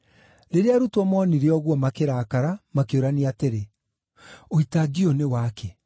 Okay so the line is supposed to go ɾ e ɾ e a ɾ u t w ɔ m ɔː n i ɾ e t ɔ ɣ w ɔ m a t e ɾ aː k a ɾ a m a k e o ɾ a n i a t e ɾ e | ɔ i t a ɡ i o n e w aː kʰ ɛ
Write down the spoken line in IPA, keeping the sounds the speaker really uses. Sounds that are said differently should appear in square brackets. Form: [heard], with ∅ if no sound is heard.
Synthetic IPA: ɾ e ɾ e a ɾ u t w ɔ m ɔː n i ɾ e [∅] ɔ ɣ w ɔ m a [k] e ɾ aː k a ɾ a m a k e o ɾ a n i a t e ɾ e | [o] i t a ɡ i o n e w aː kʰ ɛ